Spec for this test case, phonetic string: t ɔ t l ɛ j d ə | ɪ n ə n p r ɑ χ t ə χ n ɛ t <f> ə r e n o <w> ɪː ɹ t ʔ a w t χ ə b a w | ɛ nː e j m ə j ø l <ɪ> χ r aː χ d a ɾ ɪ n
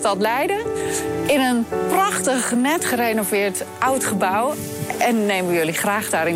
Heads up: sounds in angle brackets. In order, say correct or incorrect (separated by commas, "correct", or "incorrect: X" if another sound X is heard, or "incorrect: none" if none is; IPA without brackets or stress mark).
incorrect: χ, incorrect: v, incorrect: i